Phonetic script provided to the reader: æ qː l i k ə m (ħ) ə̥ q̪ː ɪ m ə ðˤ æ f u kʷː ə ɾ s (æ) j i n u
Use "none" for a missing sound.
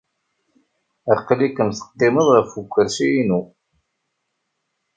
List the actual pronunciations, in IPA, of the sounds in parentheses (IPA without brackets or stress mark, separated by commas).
θ, i